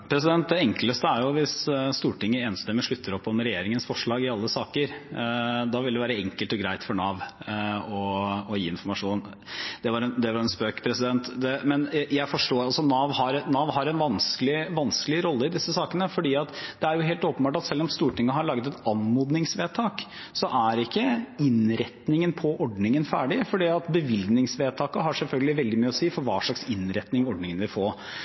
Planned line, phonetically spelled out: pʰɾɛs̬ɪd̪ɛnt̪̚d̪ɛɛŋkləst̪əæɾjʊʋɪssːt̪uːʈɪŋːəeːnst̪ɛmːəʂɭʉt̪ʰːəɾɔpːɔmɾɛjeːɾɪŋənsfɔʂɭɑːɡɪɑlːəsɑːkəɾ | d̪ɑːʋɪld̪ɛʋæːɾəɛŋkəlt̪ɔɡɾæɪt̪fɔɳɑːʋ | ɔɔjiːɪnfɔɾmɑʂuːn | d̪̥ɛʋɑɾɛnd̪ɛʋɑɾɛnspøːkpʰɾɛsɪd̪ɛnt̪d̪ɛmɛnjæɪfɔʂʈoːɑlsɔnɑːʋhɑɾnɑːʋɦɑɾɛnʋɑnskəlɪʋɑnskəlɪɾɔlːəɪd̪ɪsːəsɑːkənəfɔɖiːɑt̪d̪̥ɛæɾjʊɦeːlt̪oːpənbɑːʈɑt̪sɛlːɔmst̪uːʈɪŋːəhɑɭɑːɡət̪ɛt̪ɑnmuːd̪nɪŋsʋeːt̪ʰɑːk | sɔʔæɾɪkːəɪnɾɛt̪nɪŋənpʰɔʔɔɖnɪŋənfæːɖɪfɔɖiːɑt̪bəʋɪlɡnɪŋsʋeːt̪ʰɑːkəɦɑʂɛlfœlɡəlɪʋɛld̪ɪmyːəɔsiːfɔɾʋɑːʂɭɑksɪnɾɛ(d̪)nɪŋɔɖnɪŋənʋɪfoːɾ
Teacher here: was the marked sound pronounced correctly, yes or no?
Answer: no